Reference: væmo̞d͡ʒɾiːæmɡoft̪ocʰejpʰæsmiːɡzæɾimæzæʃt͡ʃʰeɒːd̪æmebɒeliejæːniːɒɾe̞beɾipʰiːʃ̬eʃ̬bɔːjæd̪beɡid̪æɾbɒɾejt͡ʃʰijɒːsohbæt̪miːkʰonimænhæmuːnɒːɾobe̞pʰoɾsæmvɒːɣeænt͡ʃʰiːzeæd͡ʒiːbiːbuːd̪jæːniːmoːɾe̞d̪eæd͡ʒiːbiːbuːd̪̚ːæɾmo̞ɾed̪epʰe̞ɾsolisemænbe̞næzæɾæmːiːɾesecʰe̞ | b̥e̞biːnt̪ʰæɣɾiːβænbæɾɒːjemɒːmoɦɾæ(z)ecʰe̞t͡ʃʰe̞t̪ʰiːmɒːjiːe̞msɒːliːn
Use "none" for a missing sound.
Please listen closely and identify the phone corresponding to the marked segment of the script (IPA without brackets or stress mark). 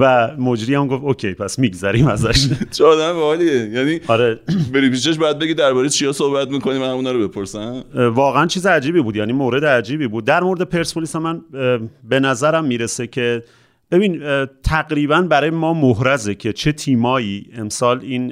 z